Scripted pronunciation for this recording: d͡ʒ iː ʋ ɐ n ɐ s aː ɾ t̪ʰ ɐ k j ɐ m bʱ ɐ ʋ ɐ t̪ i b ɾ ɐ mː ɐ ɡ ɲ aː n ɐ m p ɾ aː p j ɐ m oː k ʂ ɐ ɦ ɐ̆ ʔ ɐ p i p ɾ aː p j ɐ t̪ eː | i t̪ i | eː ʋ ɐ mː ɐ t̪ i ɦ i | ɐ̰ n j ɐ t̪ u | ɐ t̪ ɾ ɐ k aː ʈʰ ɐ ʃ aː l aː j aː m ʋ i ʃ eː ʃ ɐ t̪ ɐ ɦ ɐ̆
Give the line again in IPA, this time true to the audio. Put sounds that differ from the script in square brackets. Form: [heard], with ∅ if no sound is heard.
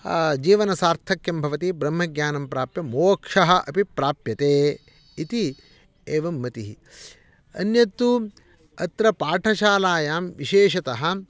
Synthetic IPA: d͡ʒ iː ʋ ɐ n ɐ s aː ɾ t̪ʰ ɐ k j ɐ m bʱ ɐ ʋ ɐ t̪ i b ɾ ɐ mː ɐ ɡ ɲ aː n ɐ m p ɾ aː p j ɐ m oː k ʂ ɐ ɦ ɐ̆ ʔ ɐ p i p ɾ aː p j ɐ t̪ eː | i t̪ i | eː ʋ ɐ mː ɐ t̪ i ɦ i | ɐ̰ n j ɐ t̪ u | ɐ t̪ ɾ ɐ [p] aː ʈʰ ɐ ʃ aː l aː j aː m ʋ i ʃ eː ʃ ɐ t̪ ɐ ɦ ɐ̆

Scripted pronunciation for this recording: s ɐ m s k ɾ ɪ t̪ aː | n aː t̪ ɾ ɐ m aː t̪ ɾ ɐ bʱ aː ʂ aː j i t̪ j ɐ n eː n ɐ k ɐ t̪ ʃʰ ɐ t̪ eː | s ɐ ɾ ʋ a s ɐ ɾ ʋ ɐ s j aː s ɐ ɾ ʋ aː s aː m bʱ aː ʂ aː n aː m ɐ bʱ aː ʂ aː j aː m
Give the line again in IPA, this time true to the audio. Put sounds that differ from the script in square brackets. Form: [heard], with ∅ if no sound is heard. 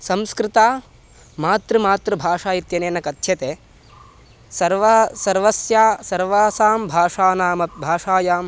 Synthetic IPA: s ɐ m s k ɾ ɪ t̪ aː | [m] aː t̪ ɾ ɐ m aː t̪ ɾ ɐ bʱ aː ʂ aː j i t̪ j ɐ n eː n ɐ k ɐ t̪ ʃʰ ɐ t̪ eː | s ɐ ɾ ʋ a s ɐ ɾ ʋ ɐ s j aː s ɐ ɾ ʋ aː s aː m bʱ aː ʂ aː n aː m ɐ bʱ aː ʂ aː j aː m

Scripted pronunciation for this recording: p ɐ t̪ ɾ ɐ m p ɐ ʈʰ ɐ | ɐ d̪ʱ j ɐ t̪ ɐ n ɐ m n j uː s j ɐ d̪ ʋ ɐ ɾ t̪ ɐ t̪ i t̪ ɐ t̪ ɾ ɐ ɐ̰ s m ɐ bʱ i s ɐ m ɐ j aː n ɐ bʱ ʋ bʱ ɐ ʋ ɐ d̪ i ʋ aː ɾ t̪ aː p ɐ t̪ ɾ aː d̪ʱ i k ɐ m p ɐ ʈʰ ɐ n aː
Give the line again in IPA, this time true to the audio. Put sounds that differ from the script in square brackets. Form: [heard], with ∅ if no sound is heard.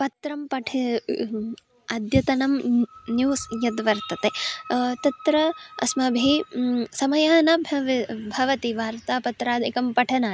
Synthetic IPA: p ɐ t̪ ɾ ɐ m p ɐ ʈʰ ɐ | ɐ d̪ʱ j ɐ t̪ ɐ n ɐ m n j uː s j ɐ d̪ ʋ ɐ ɾ t̪ ɐ t̪ [e] t̪ ɐ t̪ ɾ ɐ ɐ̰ s m ɐ bʱ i s ɐ m ɐ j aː n ɐ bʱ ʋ bʱ ɐ ʋ ɐ [t̪] i ʋ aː ɾ t̪ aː p ɐ t̪ ɾ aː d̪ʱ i k ɐ m p ɐ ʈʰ ɐ n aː

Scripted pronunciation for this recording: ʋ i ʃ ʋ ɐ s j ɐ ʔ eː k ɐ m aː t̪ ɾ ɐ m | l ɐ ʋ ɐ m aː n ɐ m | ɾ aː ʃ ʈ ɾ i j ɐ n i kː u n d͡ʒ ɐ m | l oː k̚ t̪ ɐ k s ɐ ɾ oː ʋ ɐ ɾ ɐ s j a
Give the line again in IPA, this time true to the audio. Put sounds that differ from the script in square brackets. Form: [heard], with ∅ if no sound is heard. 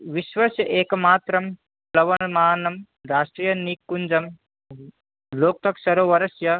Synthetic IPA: ʋ i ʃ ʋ ɐ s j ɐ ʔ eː k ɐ m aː t̪ ɾ ɐ m | l ɐ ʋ ɐ m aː n ɐ m | ɾ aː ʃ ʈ ɾ i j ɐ n i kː u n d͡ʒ ɐ m | l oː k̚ t̪ ɐ k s ɐ ɾ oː ʋ ɐ ɾ ɐ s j [ɐ]

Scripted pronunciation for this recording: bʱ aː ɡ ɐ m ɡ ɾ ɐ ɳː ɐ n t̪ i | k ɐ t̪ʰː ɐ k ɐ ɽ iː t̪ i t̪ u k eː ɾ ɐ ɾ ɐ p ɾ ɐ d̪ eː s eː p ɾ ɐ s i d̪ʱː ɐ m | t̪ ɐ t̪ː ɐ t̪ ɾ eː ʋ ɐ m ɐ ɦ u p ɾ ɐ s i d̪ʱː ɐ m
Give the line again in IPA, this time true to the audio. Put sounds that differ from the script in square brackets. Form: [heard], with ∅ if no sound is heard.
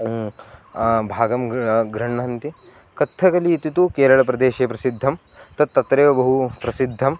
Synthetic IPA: bʱ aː ɡ ɐ m ɡ ɾ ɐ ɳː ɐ n t̪ i | k ɐ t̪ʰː ɐ k ɐ [l] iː t̪ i t̪ u k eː ɾ ɐ [ɭ] ɐ p ɾ ɐ d̪ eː [ʃ] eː p ɾ ɐ s i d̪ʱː ɐ m | t̪ ɐ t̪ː ɐ t̪ ɾ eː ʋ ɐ [b] ɐ ɦ u p ɾ ɐ s i d̪ʱː ɐ m

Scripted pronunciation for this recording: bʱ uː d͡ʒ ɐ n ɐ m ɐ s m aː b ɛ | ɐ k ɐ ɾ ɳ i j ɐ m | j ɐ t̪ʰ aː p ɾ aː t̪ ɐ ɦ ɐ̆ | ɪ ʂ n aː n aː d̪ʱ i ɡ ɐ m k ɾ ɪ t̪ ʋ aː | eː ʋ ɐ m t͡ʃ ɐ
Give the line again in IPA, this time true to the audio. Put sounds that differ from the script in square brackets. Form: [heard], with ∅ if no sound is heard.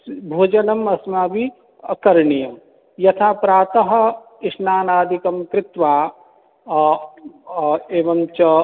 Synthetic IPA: bʱ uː d͡ʒ ɐ n ɐ m ɐ s m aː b [i] | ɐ k ɐ ɾ ɳ i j ɐ m | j ɐ t̪ʰ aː p ɾ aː t̪ ɐ ɦ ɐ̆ | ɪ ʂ n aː n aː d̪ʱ i [k] ɐ m k ɾ ɪ t̪ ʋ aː | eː ʋ ɐ m t͡ʃ ɐ

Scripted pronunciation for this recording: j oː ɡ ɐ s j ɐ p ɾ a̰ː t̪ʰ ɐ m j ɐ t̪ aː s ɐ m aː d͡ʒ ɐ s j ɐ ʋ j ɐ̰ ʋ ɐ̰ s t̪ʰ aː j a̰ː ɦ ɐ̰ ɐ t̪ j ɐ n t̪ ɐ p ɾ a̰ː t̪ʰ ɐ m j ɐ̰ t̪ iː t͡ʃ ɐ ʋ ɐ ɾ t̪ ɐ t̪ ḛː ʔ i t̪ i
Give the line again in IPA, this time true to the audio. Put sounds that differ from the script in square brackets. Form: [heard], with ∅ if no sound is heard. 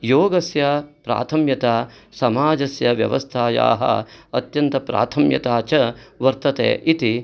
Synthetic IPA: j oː ɡ ɐ s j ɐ p ɾ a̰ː t̪ʰ ɐ m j ɐ t̪ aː s ɐ m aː d͡ʒ ɐ s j ɐ ʋ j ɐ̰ ʋ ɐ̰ s t̪ʰ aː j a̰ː ɦ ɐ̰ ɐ t̪ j ɐ n t̪ ɐ p ɾ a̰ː t̪ʰ ɐ m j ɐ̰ t̪ [aː] t͡ʃ ɐ ʋ ɐ ɾ t̪ ɐ t̪ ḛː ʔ i t̪ i

